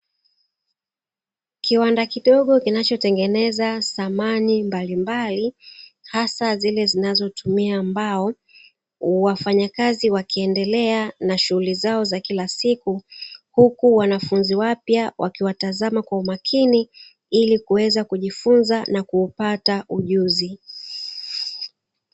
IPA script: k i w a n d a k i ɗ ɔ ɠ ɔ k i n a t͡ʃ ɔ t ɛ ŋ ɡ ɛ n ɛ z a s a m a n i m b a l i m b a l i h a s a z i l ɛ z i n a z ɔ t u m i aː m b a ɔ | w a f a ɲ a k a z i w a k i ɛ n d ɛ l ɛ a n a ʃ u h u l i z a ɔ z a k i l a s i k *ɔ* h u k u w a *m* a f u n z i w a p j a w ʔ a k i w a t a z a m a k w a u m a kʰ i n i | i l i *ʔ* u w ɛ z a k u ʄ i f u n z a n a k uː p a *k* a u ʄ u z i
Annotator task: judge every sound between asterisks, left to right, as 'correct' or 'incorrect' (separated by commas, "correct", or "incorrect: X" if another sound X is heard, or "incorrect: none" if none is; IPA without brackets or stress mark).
incorrect: u, incorrect: n, incorrect: k, incorrect: t